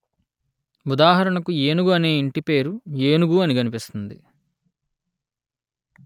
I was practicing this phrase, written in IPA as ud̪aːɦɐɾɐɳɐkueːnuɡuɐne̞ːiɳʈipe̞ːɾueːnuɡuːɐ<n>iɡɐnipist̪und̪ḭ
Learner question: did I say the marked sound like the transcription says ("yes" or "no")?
yes